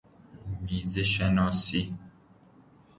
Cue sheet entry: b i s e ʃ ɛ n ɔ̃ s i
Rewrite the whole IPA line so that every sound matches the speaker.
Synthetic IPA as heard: m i z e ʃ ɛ n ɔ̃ s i